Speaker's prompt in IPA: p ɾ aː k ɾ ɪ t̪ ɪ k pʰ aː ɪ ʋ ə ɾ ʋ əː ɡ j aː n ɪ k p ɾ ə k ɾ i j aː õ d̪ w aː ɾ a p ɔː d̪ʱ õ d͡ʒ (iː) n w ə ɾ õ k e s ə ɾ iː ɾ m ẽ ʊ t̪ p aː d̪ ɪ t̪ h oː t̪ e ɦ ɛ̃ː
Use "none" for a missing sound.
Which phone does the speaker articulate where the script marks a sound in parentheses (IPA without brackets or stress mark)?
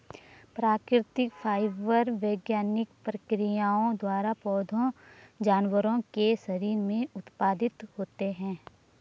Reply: aː